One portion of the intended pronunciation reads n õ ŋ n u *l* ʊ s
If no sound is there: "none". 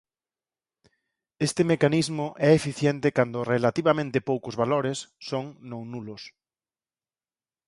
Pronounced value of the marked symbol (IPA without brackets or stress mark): l